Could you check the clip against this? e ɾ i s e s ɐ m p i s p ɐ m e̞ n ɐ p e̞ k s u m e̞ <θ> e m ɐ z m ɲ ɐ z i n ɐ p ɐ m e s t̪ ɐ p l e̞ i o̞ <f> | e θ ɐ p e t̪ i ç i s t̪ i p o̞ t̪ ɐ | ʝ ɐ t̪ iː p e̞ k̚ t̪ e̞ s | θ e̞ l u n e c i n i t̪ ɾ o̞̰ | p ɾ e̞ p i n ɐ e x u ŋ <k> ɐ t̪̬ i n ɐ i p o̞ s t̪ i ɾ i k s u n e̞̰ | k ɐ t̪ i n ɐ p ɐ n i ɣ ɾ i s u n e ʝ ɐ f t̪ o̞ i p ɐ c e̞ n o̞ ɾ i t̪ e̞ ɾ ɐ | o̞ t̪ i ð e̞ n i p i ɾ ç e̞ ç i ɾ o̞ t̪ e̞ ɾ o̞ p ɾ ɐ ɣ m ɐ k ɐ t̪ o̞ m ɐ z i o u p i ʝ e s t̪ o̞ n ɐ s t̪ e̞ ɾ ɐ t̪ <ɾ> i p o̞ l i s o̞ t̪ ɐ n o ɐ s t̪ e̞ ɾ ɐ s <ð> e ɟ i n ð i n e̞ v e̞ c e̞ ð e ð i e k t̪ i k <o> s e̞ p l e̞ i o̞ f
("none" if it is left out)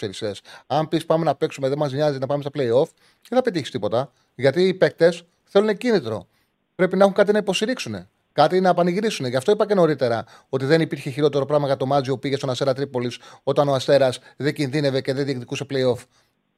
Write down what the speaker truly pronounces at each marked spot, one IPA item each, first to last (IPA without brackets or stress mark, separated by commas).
ð, f, k, ɾ, ð, u